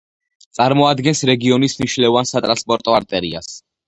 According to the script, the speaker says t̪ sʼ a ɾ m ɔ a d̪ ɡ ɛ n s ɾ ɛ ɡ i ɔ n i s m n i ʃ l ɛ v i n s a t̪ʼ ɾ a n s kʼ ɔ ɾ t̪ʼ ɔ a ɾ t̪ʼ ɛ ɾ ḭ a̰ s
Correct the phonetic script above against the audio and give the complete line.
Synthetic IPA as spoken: t̪ sʼ a ɾ m ɔ a d̪ ɡ ɛ n s ɾ ɛ ɡ i ɔ n i s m n i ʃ l ɛ v a n s a t̪ʼ ɾ a n s pʼ ɔ ɾ t̪ʼ ɔ a ɾ t̪ʼ ɛ ɾ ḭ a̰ s